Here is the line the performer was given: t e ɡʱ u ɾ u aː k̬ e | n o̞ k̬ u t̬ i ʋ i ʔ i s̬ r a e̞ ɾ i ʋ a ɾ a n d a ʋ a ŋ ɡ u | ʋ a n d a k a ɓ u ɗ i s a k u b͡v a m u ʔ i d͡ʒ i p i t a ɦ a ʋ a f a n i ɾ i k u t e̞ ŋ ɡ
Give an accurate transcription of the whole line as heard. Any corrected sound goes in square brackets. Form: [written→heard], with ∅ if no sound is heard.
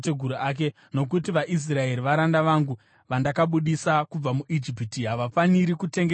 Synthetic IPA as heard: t e ɡʱ u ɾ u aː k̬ e | n o̞ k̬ u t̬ i ʋ [i→a] ʔ i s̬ r a e̞ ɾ i ʋ a ɾ a n d a ʋ a ŋ ɡ u | ʋ a n d a k a ɓ u ɗ i s a k u b͡v a m u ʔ i d͡ʒ i p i t [a→i] ɦ a ʋ a f a n i ɾ i k u t e̞ ŋ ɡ